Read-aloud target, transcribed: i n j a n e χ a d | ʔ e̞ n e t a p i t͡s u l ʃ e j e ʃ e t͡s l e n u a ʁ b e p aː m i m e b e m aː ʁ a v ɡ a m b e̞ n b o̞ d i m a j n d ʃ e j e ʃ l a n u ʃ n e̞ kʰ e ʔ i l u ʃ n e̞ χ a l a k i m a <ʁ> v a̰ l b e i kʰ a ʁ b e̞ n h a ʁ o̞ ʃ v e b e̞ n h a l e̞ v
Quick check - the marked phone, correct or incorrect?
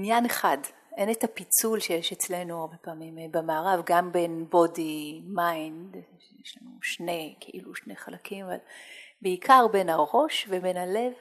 incorrect